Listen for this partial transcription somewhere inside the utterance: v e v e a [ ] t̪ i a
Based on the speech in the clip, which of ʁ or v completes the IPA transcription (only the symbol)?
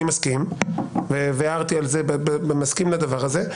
ʁ